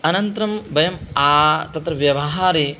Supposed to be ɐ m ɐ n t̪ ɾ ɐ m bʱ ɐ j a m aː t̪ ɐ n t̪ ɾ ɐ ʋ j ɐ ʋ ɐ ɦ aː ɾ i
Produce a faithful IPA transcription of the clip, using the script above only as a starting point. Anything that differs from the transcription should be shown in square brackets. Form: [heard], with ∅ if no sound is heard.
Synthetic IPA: ɐ [n] ɐ n t̪ ɾ ɐ m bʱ ɐ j [ɐ] m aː t̪ ɐ [∅] t̪ ɾ ɐ ʋ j ɐ ʋ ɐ ɦ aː ɾ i